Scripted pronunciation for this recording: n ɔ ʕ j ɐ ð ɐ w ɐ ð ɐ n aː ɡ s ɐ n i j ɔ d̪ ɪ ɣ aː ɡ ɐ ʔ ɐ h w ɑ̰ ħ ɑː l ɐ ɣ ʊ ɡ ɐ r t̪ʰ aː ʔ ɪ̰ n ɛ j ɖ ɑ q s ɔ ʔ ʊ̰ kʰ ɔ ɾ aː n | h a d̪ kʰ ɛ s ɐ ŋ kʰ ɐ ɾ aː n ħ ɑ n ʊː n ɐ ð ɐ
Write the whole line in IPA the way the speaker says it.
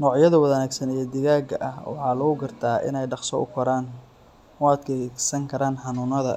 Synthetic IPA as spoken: n ɔː ʕ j ɐ ð ɐ w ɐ ð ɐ n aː ɡ s ɐ n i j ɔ d̪ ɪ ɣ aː ɡ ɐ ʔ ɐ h w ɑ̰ ħ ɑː l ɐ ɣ ʊ ɡ ɐ r t̪ʰ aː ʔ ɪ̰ n ɛ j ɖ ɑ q s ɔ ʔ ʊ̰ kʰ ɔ ɾ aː n | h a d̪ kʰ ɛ s ɐ ŋ kʰ ɐ ɾ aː n ħ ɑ n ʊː n ɐ ð ɐ